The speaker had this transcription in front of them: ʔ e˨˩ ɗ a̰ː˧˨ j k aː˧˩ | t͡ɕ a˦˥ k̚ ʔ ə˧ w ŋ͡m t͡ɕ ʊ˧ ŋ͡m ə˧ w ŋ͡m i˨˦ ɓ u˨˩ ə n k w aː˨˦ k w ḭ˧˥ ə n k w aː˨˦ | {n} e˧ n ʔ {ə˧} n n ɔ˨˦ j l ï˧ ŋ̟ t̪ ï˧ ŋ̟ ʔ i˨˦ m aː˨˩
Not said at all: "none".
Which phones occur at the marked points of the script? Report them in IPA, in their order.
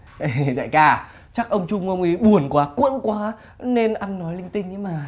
n, a˧

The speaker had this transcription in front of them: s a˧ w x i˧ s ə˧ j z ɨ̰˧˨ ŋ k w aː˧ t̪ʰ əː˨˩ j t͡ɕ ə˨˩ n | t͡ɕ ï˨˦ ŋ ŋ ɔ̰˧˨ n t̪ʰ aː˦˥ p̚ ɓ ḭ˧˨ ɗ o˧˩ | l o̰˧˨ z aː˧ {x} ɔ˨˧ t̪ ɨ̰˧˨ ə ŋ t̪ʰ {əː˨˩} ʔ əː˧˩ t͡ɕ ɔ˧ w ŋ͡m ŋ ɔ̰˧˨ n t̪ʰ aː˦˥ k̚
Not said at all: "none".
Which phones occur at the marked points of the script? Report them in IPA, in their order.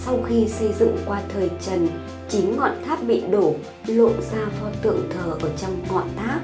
f, əː˨˩

